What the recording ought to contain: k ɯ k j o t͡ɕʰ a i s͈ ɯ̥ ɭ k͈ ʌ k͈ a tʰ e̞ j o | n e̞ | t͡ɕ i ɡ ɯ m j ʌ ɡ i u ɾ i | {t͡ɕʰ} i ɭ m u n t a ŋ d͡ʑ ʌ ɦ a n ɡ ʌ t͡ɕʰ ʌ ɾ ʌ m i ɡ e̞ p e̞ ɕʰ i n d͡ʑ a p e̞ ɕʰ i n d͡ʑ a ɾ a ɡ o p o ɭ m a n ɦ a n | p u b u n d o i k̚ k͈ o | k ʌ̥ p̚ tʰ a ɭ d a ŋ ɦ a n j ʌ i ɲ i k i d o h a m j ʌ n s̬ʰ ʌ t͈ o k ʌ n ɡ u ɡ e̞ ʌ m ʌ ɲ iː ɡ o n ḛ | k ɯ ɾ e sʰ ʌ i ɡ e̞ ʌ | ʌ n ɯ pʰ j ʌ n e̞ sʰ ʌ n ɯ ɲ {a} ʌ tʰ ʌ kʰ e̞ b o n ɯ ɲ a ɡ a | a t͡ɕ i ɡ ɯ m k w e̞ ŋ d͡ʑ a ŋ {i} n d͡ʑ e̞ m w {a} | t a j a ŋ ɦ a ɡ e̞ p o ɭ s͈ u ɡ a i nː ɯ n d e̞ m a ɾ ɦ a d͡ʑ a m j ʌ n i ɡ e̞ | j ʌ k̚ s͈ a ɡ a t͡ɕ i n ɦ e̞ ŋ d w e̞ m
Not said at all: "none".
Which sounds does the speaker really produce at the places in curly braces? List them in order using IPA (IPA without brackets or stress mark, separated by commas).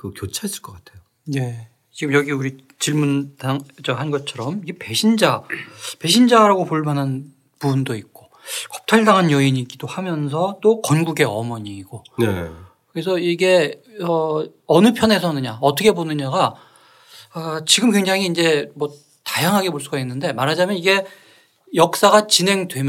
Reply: t͡ɕ, a, iː, ʌ